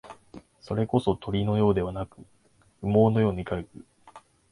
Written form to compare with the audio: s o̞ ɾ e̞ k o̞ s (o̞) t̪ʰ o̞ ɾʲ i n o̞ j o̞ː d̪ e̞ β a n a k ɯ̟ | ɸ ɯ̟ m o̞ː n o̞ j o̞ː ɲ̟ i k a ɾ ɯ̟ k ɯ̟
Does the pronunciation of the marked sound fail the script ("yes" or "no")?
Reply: no